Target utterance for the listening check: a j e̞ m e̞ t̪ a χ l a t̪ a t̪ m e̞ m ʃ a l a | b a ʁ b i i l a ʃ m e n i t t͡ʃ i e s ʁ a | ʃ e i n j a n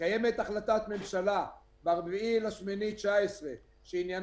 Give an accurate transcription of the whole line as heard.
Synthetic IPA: a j e̞ m e̞ t̪ a χ l a t̪ a t̪ m e̞ m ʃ a l a | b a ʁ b i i l a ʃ m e n i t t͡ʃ a e s ʁ e | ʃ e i n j a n